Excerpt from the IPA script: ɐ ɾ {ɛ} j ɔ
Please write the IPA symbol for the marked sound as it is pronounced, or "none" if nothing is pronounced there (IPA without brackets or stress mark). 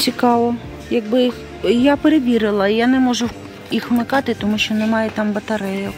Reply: ɛ